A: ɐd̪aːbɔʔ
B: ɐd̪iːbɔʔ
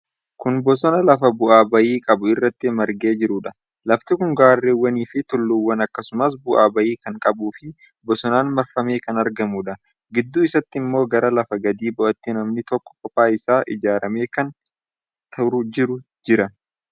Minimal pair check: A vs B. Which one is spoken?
B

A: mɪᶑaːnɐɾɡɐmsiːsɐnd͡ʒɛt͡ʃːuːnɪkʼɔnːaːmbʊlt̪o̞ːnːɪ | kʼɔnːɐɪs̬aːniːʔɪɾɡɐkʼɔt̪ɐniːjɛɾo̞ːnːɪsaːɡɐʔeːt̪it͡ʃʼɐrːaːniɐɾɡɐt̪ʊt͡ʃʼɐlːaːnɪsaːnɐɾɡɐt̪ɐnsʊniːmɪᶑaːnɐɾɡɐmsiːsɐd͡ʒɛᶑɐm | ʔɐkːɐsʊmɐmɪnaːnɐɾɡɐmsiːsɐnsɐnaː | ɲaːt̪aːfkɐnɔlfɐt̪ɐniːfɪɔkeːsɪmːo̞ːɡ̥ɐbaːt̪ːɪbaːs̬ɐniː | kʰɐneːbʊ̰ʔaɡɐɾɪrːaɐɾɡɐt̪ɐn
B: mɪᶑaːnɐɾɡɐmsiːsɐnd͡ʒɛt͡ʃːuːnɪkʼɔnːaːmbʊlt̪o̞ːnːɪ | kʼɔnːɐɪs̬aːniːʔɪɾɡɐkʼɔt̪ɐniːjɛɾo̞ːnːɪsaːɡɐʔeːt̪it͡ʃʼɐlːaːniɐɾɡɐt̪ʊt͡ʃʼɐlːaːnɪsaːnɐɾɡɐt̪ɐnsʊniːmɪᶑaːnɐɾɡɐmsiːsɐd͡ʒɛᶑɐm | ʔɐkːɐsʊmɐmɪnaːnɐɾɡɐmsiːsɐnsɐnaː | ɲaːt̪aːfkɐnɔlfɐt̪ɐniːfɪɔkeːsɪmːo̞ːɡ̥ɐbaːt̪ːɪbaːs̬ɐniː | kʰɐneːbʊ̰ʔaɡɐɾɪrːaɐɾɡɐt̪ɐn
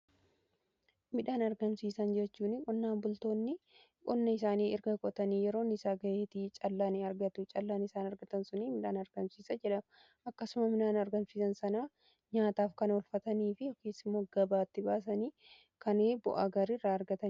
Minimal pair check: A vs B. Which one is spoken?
B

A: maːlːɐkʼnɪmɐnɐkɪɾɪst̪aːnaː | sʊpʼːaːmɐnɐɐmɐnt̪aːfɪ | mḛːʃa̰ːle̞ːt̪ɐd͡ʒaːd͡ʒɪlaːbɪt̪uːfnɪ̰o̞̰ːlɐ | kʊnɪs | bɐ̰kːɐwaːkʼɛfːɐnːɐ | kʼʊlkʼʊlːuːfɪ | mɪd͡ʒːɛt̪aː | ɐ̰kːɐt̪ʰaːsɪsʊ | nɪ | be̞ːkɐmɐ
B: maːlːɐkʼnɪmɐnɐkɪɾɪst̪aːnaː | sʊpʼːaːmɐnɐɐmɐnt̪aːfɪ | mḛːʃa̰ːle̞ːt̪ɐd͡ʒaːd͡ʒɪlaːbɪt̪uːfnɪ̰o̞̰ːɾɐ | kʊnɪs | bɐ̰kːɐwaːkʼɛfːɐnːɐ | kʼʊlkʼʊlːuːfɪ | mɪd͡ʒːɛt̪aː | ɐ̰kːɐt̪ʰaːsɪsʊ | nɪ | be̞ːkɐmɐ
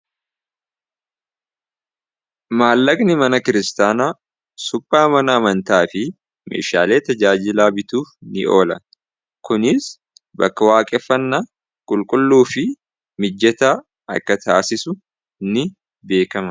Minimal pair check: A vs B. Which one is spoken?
A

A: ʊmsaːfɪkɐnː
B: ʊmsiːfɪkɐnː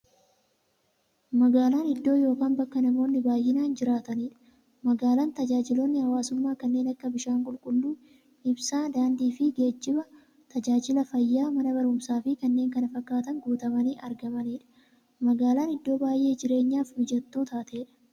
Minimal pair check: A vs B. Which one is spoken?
A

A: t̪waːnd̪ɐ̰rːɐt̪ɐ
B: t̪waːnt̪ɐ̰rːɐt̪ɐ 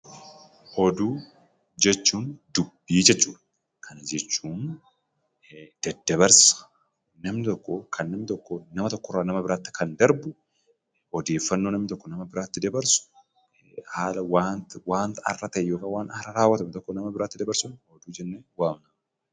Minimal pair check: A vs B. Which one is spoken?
B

